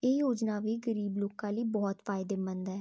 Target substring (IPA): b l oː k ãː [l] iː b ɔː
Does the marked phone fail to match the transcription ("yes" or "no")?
no